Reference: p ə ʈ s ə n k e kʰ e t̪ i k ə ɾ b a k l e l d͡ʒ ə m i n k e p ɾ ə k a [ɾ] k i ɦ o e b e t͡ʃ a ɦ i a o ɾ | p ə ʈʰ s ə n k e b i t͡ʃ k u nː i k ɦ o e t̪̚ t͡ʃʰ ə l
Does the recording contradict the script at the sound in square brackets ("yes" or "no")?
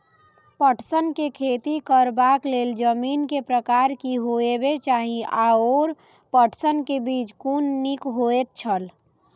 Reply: no